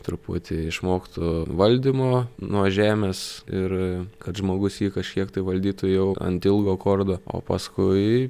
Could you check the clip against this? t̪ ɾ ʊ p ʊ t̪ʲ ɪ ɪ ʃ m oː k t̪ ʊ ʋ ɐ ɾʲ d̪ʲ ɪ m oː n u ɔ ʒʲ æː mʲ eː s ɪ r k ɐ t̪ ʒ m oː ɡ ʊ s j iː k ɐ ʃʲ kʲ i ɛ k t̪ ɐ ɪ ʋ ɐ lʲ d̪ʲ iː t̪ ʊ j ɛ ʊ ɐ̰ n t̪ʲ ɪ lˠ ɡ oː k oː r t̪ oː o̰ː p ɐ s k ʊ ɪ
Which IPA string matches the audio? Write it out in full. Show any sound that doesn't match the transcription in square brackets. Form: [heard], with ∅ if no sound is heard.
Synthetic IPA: t̪ ɾ ʊ p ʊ t̪ʲ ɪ ɪ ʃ m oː k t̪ ʊ ʋ ɐ [lʲ] d̪ʲ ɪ m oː n u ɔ ʒʲ æː mʲ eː s ɪ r k ɐ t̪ ʒ m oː ɡ ʊ s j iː k ɐ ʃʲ kʲ i ɛ k t̪ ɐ ɪ ʋ ɐ lʲ d̪ʲ iː t̪ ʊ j ɛ ʊ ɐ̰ n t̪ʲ ɪ lˠ ɡ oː k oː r [d̪] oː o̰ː p ɐ s k ʊ ɪ